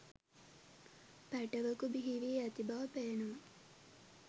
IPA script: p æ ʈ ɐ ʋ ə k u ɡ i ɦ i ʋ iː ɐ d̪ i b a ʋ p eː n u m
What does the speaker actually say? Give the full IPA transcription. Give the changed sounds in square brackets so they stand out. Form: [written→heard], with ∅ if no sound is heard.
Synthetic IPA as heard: p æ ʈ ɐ ʋ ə k u [ɡ→b] i ɦ i ʋ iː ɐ [d̪→t̪] i b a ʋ p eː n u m